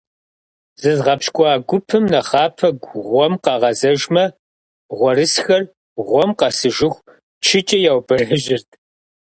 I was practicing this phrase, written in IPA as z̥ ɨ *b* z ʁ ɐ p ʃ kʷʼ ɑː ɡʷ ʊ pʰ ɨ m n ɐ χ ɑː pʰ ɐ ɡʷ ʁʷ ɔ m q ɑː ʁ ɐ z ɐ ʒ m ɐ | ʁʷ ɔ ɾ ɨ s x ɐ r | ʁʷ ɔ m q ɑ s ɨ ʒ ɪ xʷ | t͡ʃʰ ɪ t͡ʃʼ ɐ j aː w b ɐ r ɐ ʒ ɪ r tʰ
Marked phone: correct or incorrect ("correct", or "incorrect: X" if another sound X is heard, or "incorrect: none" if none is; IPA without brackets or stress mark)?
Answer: incorrect: none